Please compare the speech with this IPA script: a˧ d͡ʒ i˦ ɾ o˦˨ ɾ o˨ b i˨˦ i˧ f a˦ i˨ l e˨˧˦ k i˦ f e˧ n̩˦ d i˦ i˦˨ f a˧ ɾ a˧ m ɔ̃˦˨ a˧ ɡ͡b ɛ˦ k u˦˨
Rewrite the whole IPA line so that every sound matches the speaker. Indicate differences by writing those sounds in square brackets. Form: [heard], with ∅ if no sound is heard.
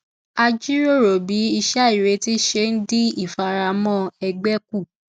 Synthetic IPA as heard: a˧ d͡ʒ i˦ ɾ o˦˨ ɾ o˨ b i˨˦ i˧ [ʃ] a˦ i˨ [ɾ] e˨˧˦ [t] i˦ [ʃ] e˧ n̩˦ d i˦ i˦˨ f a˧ ɾ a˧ m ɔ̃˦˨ [ɛ˧] ɡ͡b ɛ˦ k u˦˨